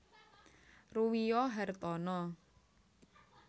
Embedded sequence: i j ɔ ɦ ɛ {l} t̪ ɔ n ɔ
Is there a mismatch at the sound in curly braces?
yes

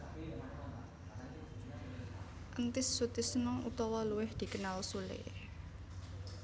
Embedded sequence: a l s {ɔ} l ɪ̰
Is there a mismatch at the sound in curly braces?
yes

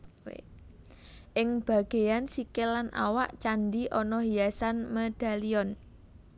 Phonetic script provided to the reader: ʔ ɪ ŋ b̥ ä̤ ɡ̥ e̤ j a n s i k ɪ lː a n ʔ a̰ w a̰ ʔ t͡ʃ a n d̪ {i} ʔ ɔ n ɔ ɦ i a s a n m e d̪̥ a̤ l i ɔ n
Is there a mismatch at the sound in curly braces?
no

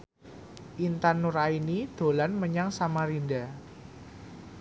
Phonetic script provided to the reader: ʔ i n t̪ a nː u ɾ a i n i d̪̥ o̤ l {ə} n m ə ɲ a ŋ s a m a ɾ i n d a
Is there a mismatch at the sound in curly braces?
yes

